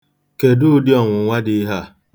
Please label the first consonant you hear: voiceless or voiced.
voiceless